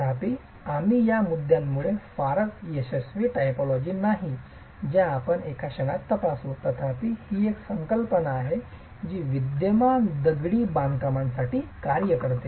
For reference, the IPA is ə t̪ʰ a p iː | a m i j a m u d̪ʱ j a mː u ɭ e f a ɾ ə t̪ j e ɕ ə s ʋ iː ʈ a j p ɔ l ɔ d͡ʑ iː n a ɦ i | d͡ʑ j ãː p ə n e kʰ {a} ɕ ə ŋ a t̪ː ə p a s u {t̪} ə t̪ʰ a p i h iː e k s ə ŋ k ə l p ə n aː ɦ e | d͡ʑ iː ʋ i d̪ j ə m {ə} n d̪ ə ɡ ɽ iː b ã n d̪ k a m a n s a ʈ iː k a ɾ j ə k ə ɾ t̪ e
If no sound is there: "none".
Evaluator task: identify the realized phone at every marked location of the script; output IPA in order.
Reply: a, t̪, a

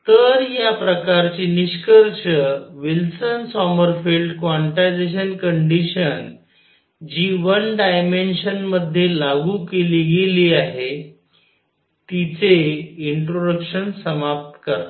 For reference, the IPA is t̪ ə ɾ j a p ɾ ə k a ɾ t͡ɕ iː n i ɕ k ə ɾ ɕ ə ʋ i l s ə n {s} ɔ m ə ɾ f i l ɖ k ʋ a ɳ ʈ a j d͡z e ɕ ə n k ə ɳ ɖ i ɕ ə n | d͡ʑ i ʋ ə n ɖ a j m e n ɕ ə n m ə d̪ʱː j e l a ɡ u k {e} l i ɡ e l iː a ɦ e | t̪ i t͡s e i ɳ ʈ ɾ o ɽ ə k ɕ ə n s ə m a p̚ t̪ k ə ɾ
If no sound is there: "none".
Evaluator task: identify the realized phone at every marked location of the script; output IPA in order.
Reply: s, e

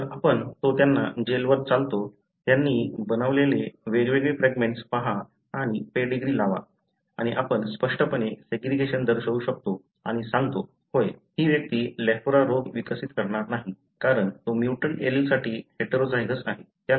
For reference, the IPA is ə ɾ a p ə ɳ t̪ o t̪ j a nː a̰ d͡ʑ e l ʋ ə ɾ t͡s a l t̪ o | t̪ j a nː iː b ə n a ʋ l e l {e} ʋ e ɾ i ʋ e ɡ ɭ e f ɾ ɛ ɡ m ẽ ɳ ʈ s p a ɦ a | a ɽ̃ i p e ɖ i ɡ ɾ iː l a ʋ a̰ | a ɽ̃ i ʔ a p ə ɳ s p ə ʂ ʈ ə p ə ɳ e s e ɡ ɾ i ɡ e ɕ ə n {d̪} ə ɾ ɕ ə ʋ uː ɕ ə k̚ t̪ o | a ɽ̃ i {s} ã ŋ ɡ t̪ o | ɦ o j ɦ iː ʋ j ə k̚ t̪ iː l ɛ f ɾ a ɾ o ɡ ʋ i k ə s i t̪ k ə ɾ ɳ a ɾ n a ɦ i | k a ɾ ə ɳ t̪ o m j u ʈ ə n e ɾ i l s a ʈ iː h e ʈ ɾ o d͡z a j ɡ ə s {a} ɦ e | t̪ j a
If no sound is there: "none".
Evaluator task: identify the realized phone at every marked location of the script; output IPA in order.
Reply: e, d̪, s, a

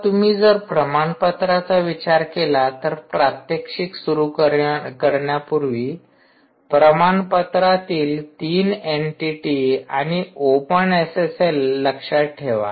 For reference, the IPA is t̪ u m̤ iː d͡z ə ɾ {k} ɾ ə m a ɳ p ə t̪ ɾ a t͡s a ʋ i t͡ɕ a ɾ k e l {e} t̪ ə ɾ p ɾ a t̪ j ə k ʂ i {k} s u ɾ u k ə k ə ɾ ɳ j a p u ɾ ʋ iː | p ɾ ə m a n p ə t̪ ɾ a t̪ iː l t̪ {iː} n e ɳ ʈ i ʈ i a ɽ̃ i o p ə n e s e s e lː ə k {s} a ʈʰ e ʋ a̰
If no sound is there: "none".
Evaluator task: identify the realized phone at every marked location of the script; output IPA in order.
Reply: p, a, k, iː, ʂ

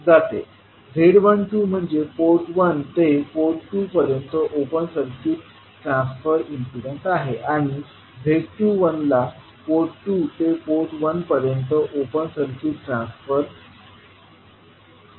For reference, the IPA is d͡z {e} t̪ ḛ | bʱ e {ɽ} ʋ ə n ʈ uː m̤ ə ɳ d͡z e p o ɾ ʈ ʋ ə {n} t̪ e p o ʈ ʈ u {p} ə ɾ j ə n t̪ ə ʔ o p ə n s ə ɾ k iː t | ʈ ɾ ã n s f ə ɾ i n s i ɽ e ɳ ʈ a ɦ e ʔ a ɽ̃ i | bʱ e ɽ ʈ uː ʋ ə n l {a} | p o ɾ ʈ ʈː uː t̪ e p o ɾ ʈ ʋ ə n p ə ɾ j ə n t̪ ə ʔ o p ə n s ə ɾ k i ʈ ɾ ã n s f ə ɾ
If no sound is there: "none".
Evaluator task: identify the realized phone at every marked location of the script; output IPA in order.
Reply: a, ɽ, n, p, a

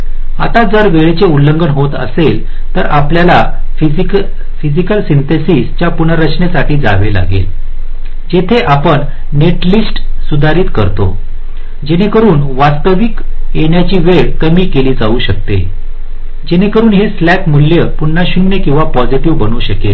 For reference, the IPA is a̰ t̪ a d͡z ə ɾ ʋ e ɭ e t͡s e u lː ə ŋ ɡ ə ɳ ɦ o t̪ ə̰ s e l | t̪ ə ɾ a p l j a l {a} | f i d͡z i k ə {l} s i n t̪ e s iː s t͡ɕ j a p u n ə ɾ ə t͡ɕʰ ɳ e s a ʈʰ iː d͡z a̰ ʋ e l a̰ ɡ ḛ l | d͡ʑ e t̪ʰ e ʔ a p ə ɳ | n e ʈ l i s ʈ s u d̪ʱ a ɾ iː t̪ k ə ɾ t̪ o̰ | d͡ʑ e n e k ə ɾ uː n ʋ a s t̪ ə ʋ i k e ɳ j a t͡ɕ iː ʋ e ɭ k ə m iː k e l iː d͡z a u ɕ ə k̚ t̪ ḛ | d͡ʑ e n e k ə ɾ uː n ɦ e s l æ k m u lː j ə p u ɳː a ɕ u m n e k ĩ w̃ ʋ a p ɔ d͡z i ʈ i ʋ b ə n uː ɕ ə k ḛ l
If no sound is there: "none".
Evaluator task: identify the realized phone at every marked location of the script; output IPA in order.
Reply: a, l

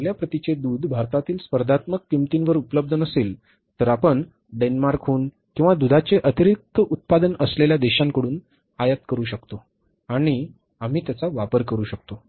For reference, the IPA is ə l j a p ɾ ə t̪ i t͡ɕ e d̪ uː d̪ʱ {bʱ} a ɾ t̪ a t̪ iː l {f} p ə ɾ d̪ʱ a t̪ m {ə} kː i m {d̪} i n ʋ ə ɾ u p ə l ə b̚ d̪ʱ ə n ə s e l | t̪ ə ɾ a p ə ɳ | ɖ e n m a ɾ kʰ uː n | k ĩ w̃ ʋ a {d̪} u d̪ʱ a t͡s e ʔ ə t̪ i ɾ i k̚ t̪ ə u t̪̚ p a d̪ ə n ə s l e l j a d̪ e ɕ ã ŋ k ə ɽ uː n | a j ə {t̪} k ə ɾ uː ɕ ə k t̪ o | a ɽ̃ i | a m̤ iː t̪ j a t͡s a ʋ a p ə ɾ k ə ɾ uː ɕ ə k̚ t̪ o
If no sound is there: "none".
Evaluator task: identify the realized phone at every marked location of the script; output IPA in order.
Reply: bʱ, s, ə, t̪, d̪, t̪

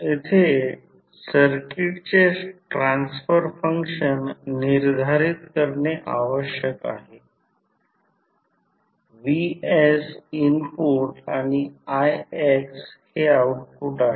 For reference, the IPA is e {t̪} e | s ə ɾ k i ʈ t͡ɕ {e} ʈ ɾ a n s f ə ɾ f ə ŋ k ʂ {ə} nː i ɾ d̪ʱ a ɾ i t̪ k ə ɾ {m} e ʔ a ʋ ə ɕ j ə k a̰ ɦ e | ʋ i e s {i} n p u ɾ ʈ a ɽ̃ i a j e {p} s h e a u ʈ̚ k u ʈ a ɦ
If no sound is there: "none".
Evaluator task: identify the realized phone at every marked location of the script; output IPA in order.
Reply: t̪ʰ, e, ə, ɳ, i, k

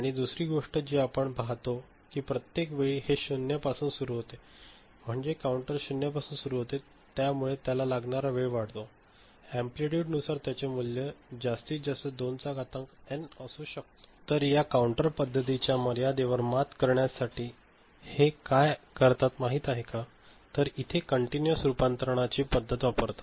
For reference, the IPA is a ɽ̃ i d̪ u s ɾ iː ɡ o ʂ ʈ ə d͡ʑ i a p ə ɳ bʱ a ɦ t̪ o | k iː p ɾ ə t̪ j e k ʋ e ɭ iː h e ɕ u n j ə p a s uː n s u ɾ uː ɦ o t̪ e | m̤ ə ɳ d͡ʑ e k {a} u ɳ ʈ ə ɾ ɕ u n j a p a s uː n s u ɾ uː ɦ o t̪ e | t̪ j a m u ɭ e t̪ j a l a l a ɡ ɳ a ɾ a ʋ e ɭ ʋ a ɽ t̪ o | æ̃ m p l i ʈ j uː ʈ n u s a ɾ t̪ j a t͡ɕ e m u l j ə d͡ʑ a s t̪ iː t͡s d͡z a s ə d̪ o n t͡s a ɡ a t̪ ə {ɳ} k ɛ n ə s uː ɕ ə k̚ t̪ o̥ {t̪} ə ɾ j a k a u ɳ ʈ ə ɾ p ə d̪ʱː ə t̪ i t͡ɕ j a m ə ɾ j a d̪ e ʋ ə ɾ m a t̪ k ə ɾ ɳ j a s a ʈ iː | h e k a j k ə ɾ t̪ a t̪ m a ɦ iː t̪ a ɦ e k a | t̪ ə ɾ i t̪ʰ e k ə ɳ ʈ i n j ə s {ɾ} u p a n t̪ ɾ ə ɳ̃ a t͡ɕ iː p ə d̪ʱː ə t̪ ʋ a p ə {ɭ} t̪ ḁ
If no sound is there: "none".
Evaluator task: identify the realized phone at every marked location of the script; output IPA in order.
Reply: a, ŋ, t̪, ɾ, ɾ

